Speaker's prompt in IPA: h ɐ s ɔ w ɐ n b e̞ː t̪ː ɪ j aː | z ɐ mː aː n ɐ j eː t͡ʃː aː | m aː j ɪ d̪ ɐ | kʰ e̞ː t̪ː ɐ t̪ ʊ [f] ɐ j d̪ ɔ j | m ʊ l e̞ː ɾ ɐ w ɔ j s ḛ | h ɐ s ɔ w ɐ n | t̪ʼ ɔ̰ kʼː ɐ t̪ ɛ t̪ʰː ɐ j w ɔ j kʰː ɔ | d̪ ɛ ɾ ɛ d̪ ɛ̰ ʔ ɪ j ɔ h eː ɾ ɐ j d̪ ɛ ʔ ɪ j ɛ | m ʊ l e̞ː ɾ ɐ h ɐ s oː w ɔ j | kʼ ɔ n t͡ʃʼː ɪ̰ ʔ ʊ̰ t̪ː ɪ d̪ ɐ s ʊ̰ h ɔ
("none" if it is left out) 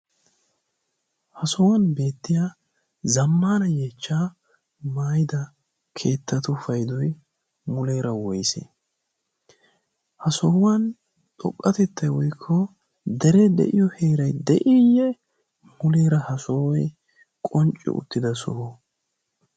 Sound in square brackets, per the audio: f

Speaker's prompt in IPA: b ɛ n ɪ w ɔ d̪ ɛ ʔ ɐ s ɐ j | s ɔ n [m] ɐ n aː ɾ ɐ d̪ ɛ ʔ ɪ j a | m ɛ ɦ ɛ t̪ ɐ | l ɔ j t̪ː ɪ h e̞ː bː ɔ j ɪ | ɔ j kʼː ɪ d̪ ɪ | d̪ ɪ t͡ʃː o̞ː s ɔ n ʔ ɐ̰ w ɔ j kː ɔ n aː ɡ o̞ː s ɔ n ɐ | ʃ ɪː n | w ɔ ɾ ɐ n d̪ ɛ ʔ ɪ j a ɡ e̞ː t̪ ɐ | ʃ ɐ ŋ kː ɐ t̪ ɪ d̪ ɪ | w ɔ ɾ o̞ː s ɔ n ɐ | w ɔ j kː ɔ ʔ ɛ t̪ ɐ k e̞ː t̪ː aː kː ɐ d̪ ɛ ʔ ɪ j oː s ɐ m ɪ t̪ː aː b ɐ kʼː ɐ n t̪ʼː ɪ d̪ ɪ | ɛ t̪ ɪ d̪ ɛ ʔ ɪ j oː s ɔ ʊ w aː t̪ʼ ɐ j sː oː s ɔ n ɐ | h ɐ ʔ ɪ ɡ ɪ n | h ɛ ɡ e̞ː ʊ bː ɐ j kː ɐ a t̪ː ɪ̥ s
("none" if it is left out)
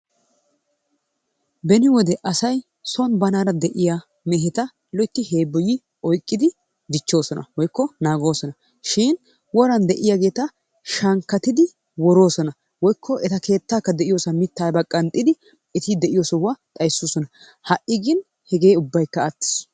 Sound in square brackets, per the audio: b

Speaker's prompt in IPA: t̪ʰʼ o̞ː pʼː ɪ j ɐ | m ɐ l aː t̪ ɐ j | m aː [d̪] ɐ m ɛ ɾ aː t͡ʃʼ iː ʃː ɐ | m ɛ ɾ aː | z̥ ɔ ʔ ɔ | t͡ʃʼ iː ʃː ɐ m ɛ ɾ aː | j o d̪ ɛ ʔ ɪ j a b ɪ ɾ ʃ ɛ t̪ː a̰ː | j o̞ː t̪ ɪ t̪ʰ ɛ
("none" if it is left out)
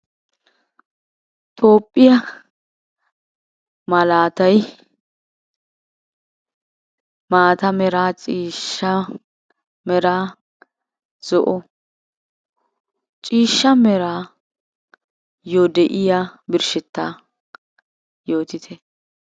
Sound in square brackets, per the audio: t̪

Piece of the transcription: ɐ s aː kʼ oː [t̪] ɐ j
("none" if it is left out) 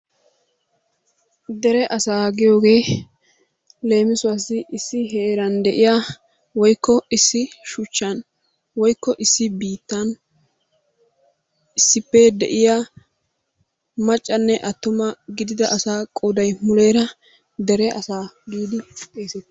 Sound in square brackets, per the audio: d̪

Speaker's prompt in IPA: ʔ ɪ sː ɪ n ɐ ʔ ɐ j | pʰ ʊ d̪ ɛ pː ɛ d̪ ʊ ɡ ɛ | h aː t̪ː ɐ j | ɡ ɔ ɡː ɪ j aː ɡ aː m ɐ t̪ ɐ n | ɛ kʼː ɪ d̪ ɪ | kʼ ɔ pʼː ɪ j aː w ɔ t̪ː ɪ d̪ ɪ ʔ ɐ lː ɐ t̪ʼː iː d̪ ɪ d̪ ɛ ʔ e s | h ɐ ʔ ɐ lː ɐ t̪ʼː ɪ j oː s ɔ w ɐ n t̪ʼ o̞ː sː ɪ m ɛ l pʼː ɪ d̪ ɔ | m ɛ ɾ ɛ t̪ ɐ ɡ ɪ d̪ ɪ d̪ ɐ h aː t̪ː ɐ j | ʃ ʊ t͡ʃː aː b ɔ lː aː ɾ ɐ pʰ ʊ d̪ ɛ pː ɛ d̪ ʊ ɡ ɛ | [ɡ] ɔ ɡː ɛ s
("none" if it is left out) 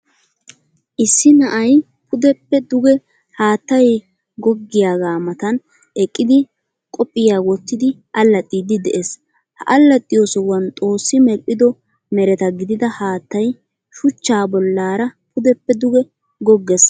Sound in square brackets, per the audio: ɡ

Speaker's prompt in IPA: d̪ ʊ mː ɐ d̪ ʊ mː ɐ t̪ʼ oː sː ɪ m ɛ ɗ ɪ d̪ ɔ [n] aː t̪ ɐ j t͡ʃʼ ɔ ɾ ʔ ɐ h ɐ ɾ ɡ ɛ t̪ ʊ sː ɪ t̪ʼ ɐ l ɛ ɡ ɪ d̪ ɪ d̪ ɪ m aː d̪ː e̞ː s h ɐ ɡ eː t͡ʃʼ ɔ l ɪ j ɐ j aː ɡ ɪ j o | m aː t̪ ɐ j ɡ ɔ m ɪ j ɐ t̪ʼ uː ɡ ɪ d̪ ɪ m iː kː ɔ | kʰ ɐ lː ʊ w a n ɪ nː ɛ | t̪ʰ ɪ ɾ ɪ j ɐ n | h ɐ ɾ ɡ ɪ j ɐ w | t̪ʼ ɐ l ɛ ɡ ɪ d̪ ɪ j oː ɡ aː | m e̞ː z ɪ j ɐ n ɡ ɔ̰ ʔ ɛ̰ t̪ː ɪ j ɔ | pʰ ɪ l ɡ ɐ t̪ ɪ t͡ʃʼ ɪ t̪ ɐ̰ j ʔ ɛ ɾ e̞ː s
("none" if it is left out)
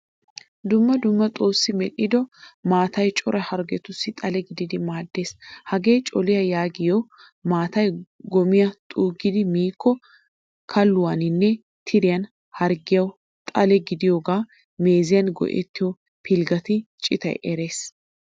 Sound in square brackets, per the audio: m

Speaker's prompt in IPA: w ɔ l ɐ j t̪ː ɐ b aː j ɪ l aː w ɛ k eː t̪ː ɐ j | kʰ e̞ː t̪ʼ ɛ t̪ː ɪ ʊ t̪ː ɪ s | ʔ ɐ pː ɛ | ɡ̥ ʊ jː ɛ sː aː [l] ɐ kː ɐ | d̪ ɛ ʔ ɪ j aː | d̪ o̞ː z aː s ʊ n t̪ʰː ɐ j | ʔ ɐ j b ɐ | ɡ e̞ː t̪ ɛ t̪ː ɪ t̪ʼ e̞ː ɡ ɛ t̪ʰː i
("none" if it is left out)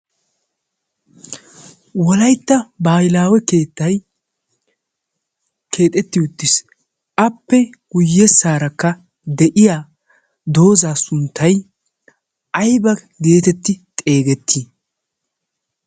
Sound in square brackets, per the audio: ɾ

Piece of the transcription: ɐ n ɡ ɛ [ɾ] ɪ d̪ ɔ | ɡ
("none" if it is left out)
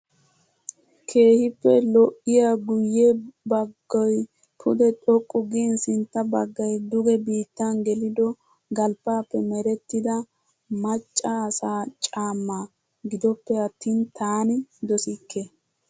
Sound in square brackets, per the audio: l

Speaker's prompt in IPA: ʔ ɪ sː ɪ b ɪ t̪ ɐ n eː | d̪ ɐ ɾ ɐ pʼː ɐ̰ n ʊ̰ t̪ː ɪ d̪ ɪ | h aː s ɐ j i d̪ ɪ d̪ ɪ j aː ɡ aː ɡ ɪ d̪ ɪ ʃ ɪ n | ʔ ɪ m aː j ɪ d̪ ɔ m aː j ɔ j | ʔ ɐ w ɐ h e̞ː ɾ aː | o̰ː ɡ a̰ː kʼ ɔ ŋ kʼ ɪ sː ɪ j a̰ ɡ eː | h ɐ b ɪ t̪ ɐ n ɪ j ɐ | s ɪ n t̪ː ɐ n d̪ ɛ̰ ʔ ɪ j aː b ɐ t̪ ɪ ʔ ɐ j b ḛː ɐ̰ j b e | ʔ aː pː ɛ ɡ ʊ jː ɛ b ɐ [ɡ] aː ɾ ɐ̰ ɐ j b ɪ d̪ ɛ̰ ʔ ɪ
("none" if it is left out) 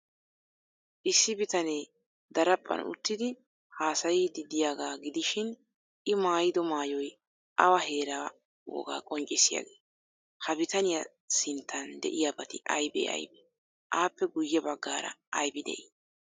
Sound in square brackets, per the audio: ɡː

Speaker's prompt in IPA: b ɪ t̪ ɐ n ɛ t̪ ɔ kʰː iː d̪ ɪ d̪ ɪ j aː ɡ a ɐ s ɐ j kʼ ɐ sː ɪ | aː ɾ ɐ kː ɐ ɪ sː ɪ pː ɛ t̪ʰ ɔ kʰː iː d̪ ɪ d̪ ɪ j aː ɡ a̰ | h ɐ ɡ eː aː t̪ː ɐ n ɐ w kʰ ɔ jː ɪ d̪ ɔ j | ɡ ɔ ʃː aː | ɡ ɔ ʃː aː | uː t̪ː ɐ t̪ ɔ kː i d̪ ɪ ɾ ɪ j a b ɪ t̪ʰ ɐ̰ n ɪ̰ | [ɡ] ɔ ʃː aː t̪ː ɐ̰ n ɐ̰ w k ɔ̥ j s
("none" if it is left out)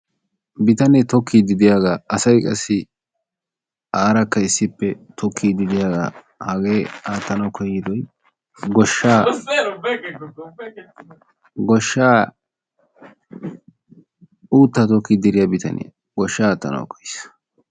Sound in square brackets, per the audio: ɡ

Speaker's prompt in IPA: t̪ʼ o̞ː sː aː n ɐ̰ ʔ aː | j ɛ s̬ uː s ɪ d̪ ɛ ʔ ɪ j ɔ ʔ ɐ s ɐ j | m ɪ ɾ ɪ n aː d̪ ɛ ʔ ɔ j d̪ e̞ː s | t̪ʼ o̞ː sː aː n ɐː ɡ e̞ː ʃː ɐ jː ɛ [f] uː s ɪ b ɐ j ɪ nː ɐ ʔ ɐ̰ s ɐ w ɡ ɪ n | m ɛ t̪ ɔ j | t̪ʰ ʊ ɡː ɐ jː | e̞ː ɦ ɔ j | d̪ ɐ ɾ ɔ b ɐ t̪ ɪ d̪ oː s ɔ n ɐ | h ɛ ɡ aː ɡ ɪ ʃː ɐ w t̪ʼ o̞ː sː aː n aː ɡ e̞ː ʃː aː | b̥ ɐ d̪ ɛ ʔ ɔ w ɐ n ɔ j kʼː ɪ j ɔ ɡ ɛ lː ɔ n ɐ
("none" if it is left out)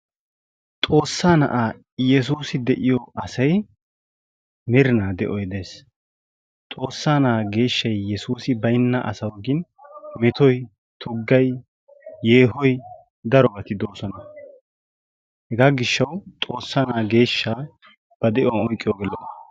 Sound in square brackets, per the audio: s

